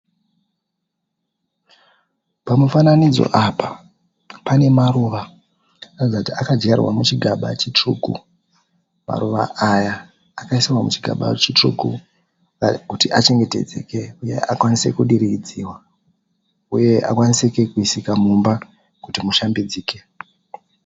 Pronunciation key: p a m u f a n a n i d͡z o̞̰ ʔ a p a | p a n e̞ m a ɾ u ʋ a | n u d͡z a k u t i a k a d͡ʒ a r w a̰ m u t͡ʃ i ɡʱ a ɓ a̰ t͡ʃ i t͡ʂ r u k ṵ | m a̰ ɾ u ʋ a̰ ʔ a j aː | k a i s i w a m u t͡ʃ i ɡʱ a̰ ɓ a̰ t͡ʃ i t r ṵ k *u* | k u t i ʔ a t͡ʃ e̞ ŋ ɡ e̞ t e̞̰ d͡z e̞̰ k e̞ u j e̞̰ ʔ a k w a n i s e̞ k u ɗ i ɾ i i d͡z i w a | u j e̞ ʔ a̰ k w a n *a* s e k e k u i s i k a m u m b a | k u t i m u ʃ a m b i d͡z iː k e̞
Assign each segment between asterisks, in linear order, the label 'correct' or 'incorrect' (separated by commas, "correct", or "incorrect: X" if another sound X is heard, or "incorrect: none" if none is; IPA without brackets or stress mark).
correct, incorrect: i